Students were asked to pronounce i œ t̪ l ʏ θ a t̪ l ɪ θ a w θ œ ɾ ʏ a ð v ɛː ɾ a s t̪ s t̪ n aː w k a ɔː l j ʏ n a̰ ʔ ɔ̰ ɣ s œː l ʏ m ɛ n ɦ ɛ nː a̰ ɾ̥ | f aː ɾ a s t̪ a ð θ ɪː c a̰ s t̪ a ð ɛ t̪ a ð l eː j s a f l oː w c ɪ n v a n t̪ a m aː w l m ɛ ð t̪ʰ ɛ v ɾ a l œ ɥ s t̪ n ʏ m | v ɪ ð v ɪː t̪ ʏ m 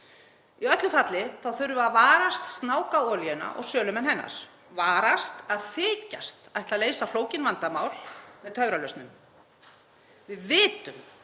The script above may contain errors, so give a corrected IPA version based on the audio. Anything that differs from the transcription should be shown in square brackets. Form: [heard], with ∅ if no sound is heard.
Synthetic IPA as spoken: i œ t̪ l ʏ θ a t̪ l ɪ θ a w θ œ ɾ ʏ a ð v [aː] ɾ a s t̪ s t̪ n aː w k a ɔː l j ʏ n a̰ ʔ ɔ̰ ɣ s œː l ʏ m ɛ n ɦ ɛ nː a̰ ɾ̥ | [v] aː ɾ a s t̪ a ð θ ɪː c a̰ s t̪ a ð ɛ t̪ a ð l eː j s a f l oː w c ɪ n v a n t̪ a m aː w l m ɛ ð t̪ʰ [œ] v ɾ a l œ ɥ s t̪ n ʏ m | v ɪ ð v ɪː t̪ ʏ m